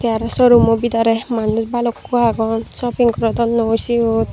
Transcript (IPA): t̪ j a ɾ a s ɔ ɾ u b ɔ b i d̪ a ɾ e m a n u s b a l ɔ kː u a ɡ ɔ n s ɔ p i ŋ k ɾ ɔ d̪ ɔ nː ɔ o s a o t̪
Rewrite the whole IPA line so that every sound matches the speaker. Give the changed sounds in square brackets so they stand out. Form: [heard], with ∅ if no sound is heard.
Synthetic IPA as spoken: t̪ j a ɾ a s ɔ ɾ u [m] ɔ b i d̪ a ɾ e m a n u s b a l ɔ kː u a ɡ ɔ n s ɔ p i ŋ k ɾ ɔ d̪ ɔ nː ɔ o s [i] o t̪